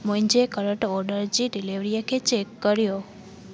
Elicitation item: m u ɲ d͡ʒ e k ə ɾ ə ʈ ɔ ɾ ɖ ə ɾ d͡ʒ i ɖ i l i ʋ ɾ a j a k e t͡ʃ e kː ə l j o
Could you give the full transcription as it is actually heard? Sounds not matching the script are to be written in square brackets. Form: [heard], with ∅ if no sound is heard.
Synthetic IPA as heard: m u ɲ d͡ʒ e k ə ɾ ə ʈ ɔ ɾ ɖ ə ɾ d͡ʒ i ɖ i l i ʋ ɾ [i] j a k e t͡ʃ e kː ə [ɾ] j o